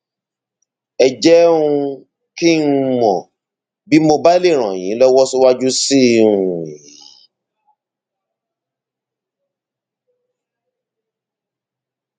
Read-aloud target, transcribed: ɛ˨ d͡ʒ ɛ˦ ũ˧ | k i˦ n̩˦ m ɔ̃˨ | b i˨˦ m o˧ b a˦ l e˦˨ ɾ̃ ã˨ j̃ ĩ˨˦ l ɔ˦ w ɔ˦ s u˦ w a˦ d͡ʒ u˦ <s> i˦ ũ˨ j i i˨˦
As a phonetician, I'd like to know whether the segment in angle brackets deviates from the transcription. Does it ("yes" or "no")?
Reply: no